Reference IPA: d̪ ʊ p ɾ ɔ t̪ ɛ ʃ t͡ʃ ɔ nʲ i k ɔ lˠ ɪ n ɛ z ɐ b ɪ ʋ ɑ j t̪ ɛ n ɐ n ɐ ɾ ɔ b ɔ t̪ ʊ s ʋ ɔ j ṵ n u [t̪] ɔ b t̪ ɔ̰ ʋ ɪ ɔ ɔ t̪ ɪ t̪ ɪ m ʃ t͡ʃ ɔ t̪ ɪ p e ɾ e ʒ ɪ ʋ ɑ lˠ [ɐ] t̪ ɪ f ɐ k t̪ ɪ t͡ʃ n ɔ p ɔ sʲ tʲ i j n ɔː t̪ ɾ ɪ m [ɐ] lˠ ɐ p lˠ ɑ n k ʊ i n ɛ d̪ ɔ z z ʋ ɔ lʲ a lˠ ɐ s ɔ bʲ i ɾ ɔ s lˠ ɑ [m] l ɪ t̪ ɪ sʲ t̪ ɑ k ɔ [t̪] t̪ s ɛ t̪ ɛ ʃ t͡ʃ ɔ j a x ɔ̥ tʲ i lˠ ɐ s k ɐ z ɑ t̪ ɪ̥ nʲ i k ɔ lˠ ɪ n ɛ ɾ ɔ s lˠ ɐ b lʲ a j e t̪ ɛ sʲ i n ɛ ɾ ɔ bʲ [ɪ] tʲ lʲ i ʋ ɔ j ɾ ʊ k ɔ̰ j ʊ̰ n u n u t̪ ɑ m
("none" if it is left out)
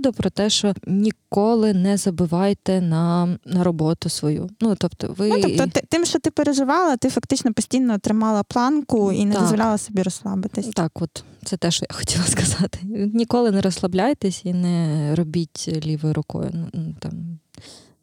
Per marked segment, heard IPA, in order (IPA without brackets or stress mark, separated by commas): t̪, ɐ, ɑ, b, t̪, i